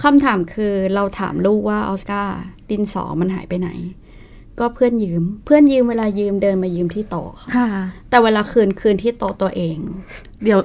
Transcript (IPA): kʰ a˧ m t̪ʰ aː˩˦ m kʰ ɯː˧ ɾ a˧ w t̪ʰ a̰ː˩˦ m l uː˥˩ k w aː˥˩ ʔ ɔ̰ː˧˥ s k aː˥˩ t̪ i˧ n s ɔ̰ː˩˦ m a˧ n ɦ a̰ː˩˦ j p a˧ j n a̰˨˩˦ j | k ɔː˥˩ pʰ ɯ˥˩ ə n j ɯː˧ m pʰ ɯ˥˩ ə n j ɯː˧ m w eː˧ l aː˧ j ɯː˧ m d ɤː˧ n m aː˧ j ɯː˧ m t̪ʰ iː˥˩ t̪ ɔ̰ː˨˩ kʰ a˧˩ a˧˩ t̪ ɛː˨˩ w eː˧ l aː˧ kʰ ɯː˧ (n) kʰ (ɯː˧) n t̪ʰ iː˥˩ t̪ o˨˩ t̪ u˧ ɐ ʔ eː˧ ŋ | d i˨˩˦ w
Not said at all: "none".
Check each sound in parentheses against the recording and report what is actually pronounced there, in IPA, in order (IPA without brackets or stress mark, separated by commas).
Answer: n, ɯː˧